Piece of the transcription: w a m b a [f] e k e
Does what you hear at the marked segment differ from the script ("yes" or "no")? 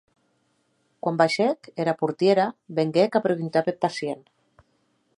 yes